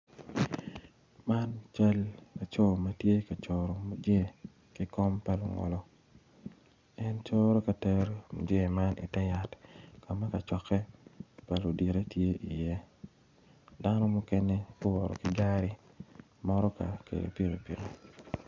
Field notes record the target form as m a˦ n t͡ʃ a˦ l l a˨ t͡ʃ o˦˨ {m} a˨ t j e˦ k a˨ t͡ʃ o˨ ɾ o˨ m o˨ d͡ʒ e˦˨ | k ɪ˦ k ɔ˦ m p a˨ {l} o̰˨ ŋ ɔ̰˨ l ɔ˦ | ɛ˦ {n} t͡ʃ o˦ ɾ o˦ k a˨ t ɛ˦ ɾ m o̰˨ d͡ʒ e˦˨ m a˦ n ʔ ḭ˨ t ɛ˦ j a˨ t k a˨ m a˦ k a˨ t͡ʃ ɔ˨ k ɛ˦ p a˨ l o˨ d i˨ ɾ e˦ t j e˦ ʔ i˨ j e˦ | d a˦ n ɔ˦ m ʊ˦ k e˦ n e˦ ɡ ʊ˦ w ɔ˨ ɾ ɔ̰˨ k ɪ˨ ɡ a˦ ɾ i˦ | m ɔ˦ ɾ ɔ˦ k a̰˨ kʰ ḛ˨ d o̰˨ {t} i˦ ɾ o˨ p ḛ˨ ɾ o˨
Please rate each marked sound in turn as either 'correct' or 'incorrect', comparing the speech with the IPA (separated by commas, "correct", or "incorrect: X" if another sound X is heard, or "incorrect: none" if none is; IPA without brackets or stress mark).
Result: correct, correct, correct, incorrect: p